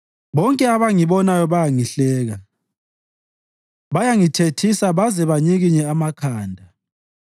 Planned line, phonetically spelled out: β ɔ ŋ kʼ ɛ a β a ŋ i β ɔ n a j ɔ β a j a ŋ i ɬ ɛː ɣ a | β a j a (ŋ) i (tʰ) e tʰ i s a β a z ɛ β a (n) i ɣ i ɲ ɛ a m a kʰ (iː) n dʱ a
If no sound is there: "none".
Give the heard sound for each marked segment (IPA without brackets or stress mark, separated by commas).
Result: ŋ, tʰ, ɲ, aː